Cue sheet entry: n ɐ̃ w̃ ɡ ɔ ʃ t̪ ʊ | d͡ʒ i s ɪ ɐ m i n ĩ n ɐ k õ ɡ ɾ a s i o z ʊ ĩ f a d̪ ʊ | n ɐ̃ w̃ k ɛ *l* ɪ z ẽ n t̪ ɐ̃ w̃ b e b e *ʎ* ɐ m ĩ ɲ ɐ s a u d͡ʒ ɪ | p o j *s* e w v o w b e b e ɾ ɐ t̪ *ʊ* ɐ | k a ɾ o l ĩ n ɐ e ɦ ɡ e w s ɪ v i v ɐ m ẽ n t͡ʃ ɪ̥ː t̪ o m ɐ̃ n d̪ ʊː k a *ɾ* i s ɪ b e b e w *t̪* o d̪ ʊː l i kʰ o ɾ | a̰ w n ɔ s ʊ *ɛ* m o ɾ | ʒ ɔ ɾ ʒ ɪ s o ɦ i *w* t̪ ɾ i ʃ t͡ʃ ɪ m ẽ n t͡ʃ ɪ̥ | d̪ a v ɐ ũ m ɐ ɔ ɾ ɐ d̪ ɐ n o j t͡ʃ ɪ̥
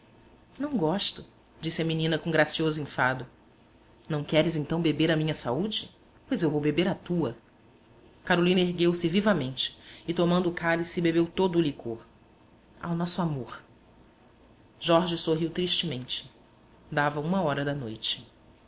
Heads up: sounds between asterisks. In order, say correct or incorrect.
incorrect, incorrect, incorrect, incorrect, incorrect, correct, incorrect, correct

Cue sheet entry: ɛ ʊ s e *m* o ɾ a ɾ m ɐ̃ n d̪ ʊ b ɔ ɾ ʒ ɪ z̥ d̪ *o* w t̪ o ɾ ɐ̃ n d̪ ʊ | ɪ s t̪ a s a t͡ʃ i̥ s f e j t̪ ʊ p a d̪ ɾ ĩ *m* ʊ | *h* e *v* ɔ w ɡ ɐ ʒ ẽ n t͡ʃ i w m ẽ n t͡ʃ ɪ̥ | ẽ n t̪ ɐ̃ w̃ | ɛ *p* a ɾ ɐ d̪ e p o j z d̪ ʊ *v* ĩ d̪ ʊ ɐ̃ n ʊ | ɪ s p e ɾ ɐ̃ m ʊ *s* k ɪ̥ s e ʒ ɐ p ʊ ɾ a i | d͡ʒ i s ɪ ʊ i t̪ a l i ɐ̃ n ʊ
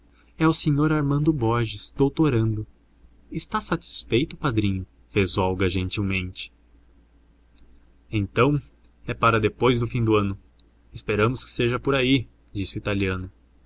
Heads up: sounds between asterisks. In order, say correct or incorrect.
incorrect, correct, incorrect, incorrect, incorrect, correct, incorrect, correct

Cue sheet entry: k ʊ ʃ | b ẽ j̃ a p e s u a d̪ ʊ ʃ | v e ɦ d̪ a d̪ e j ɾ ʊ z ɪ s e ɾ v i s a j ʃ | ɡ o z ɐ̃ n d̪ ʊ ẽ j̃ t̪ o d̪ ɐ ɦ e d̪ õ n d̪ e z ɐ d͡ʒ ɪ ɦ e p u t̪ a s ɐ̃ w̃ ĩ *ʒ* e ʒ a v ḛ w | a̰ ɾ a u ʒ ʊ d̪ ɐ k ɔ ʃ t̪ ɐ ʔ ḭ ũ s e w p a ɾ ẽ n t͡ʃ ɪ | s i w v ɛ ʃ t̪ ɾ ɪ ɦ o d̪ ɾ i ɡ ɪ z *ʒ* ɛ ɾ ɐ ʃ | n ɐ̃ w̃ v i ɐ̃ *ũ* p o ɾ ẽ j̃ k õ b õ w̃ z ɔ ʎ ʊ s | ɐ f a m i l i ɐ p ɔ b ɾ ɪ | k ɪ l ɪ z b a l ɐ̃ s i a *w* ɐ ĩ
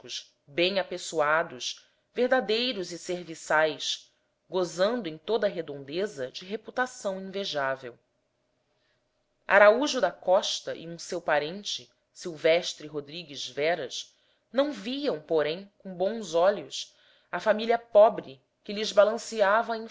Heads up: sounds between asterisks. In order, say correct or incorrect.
incorrect, incorrect, incorrect, incorrect

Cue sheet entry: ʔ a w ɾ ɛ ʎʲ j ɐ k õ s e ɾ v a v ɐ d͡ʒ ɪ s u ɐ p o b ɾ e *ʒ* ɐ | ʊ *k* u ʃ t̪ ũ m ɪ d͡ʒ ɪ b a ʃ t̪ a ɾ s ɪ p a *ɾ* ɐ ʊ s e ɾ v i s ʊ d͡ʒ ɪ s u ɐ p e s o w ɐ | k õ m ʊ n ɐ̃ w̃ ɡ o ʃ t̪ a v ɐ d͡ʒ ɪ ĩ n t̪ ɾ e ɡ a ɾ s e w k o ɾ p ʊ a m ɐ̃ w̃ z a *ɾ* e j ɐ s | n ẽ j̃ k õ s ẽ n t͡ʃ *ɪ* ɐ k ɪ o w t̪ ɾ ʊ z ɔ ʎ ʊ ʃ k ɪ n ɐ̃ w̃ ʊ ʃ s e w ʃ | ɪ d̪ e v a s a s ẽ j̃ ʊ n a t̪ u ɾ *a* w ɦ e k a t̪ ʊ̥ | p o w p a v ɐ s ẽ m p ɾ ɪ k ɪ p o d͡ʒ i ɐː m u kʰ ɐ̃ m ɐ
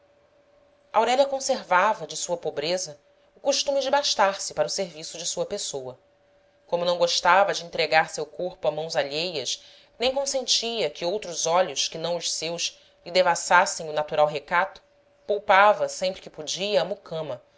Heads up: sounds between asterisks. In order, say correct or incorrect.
incorrect, correct, correct, incorrect, incorrect, correct

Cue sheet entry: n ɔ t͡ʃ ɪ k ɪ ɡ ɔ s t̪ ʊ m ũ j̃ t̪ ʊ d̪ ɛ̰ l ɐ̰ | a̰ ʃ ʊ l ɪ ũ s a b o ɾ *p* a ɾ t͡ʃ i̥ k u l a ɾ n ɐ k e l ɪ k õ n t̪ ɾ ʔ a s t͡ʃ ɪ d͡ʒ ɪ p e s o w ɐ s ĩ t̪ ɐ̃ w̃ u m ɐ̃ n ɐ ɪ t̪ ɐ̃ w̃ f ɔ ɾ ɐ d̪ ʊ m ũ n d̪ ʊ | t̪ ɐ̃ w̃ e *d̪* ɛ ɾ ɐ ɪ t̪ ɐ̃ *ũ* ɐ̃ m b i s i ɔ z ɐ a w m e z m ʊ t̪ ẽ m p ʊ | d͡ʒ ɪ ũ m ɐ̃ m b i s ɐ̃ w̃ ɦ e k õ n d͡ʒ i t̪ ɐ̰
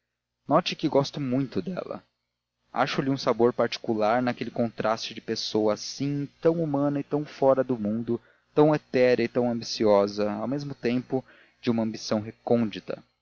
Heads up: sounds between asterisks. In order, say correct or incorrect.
correct, incorrect, incorrect

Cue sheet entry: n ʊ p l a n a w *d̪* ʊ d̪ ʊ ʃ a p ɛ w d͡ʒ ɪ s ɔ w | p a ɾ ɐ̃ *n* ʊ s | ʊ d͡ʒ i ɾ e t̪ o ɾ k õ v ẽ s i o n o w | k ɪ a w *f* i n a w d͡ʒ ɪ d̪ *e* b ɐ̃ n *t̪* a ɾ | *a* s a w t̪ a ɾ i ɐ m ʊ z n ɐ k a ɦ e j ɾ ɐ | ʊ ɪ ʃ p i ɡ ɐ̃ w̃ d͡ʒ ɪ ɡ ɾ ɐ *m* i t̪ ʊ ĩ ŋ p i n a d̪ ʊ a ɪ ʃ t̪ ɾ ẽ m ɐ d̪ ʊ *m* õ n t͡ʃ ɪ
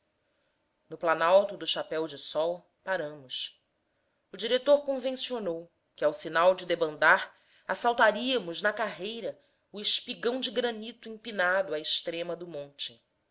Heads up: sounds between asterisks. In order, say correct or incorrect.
incorrect, incorrect, incorrect, correct, incorrect, correct, incorrect, correct

